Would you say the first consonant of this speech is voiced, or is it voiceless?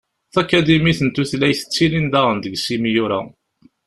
voiceless